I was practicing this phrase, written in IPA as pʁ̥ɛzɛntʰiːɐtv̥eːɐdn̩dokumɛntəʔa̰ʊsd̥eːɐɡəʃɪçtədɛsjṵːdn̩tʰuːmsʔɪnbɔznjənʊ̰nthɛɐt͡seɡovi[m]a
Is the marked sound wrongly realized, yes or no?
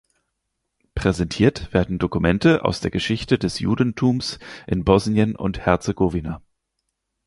yes